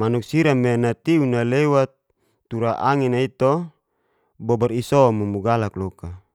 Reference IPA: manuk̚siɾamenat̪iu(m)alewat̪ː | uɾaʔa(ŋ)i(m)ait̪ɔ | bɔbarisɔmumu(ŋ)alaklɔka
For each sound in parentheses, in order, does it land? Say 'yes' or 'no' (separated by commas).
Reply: no, yes, no, no